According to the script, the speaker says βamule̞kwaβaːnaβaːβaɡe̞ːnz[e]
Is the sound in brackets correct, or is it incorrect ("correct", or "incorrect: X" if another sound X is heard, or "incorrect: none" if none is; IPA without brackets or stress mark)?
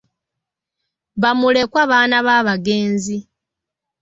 incorrect: i